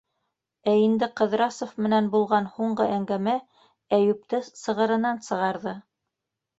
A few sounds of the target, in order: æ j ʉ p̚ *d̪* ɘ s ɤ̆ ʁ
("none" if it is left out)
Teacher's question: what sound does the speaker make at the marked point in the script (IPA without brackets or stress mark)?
t̪